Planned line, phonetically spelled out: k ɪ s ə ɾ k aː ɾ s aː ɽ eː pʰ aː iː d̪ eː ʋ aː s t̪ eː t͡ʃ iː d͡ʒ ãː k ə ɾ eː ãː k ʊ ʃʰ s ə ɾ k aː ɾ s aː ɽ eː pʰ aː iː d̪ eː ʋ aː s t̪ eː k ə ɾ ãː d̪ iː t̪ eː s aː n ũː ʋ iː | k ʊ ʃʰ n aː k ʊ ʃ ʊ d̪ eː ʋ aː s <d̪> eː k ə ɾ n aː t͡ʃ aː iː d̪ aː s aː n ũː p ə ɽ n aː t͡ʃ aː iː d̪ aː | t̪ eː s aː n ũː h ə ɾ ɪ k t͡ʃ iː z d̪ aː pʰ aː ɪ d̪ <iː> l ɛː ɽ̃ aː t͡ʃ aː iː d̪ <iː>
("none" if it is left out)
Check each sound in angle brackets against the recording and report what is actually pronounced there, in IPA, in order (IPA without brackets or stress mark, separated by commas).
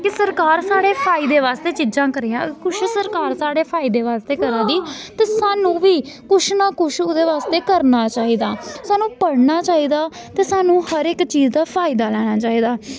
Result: t̪, aː, aː